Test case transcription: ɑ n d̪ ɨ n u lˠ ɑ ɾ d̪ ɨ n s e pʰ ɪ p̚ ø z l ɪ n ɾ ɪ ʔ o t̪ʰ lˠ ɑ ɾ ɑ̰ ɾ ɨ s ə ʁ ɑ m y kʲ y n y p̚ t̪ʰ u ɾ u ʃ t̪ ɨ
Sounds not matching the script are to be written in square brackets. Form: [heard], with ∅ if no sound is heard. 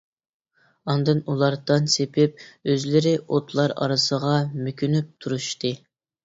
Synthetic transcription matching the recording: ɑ n d̪ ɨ n u lˠ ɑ ɾ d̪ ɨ n s e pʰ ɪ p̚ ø z l ɪ [∅] ɾ ɪ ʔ o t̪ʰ lˠ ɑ ɾ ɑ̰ ɾ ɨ s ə ʁ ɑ m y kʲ y n y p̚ t̪ʰ u ɾ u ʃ t̪ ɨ